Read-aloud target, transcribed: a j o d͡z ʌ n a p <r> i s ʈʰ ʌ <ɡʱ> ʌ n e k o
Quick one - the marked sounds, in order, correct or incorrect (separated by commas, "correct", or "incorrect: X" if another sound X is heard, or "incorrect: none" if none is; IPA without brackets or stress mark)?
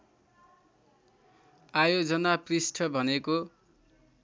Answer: correct, incorrect: bʱ